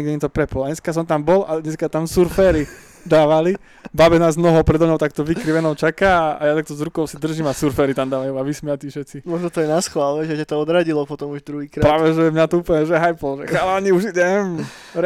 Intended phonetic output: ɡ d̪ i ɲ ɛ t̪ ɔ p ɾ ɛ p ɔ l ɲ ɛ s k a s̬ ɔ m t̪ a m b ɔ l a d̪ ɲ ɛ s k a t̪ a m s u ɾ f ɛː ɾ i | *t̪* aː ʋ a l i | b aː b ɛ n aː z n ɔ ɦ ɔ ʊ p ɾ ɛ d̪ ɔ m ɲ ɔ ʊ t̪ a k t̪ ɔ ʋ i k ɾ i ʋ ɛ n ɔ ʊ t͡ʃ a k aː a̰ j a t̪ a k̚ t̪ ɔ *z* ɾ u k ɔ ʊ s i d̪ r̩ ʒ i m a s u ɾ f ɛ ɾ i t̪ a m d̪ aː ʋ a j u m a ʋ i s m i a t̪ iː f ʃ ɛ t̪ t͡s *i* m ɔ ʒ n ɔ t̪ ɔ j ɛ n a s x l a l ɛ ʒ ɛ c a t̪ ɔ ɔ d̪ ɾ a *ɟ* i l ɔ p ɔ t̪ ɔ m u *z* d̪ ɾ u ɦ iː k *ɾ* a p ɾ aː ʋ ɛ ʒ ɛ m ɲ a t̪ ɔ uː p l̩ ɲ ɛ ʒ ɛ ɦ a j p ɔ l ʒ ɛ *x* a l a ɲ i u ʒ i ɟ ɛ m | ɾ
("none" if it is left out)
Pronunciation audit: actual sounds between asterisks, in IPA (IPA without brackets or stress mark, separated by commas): d̪, z, i, ɟ, ʒ, ɾ, x